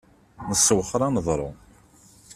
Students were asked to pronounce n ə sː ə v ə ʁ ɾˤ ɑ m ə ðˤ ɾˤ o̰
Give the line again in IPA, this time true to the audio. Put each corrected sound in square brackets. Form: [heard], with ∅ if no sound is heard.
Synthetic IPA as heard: n ə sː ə [w] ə [χ] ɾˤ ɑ [n] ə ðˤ ɾˤ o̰